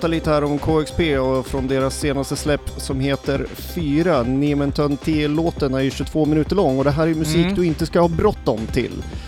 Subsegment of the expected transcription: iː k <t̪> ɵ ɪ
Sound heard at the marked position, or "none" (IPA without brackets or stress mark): d̪